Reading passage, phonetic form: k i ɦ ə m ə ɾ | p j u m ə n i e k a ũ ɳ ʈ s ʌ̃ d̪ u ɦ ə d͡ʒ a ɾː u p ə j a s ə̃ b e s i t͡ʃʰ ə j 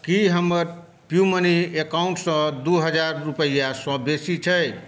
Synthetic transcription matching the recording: k i ɦ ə m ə ɾ | p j u m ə n i e k a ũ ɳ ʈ s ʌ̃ d̪ u ɦ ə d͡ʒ a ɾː u p ə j a s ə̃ b e s i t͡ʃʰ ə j